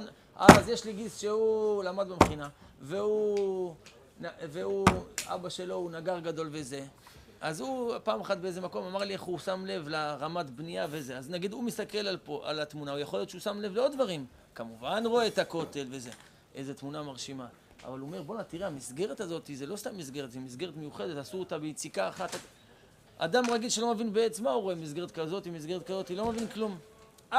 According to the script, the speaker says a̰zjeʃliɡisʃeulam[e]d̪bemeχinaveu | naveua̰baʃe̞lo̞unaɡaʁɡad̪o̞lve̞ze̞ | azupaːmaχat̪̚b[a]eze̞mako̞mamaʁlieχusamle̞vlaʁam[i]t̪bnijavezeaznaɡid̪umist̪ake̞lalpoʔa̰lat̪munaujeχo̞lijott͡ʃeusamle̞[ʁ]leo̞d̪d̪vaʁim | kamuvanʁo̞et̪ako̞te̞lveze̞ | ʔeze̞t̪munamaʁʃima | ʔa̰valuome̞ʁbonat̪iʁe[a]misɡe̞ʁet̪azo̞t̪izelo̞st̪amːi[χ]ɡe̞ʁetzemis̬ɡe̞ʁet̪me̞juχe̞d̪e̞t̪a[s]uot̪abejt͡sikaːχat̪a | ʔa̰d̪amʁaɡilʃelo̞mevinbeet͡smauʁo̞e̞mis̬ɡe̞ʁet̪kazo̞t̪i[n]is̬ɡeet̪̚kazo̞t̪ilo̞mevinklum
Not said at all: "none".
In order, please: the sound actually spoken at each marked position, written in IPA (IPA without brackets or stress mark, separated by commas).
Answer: a, e, a, v, a, s, s, m